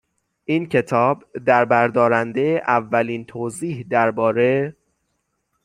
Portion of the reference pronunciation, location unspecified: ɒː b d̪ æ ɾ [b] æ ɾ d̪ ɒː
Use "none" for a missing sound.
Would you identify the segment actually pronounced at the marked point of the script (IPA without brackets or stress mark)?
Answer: b